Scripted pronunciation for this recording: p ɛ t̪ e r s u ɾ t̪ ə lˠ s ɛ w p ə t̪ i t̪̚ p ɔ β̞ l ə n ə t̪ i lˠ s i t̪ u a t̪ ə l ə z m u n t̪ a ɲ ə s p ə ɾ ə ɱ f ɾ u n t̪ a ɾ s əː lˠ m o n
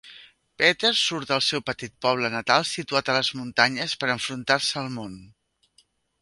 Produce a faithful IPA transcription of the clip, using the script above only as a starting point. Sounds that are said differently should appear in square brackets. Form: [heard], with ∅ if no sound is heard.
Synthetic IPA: p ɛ t̪ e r s u ɾ t̪ ə lˠ s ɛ w p ə t̪ i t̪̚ p ɔ β̞ l ə n ə t̪ [a] lˠ s i t̪ u a t̪ ə l ə z m u n t̪ a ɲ ə s p ə ɾ ə ɱ f ɾ u n t̪ a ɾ s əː lˠ m o n